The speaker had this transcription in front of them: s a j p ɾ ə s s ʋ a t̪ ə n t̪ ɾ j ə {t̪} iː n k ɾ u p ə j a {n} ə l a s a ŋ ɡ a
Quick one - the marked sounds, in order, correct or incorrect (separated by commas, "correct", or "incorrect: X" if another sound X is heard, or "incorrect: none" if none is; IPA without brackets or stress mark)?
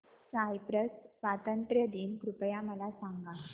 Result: incorrect: d̪, incorrect: m